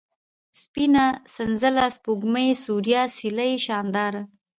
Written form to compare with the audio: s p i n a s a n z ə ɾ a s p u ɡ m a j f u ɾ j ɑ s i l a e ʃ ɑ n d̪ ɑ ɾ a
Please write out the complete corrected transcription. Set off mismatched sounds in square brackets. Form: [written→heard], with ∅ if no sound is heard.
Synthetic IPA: s p i n a s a n z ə [ɾ→l] a s p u ɡ m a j [f→s] u ɾ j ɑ s i l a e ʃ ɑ n d̪ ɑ ɾ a